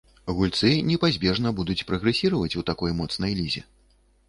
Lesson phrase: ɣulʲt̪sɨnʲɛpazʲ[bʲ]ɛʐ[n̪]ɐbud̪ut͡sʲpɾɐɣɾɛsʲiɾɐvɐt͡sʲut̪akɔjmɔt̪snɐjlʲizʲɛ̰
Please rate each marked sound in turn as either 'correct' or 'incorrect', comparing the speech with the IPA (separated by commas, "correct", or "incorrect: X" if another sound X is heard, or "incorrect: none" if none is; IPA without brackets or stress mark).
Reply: correct, correct